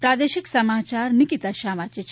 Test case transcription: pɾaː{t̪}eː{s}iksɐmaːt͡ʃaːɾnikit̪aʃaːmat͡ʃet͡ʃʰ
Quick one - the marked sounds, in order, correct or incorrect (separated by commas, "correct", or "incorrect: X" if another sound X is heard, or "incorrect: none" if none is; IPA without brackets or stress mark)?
incorrect: d̪, incorrect: ʃ